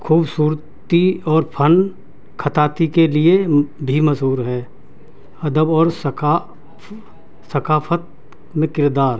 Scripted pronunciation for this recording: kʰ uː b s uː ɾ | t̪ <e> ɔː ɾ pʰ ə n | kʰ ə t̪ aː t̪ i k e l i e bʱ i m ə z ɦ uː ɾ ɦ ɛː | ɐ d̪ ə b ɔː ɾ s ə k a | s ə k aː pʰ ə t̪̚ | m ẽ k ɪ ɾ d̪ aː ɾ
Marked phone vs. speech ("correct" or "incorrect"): incorrect